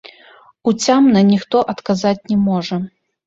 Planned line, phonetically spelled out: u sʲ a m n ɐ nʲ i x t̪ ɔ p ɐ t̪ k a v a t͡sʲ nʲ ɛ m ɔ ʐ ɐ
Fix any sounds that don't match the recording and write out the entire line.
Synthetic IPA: u t͡sʲ a m n ɐ nʲ i x t̪ ɔ ʔ ɐ t̪ k a z a t͡sʲ nʲ ɛ m ɔ ʐ ɐ